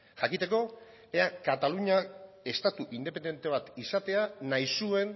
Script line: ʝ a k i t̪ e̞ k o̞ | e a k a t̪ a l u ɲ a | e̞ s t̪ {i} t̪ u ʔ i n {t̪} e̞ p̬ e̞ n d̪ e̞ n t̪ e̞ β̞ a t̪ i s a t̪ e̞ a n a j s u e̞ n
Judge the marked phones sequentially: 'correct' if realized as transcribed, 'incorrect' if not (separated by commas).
incorrect, incorrect